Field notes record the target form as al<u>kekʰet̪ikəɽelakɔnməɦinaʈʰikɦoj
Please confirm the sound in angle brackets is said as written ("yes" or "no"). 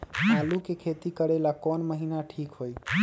yes